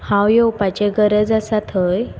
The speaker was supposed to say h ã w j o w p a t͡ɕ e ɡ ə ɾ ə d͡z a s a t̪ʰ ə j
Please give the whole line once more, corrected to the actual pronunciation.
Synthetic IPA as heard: h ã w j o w p a t͡ɕ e ɡ ə ɾ ə d͡z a s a t̪ʰ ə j